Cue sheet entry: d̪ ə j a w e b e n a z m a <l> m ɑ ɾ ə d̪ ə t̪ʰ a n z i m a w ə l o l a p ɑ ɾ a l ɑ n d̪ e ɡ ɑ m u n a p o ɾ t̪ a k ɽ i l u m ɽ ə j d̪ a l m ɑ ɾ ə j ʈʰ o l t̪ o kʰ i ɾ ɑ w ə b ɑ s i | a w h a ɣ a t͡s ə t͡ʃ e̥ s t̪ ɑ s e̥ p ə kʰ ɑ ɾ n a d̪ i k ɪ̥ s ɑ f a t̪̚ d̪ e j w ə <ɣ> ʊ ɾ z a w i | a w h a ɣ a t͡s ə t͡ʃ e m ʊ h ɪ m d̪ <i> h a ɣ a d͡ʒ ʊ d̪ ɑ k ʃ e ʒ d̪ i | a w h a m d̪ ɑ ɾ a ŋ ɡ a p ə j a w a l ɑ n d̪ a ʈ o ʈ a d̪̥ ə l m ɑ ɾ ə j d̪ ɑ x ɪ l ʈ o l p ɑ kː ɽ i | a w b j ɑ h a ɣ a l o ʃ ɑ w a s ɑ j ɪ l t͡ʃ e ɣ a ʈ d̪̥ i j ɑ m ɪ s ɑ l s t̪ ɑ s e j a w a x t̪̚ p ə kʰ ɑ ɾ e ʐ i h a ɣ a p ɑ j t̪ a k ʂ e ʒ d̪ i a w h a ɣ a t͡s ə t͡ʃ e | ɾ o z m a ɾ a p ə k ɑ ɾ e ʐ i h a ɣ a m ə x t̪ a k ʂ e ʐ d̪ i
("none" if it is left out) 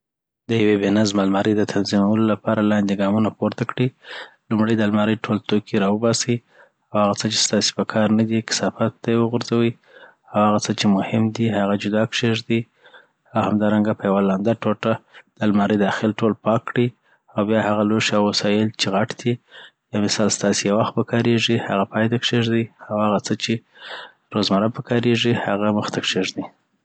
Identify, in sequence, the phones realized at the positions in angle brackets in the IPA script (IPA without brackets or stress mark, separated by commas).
l, ɣ, i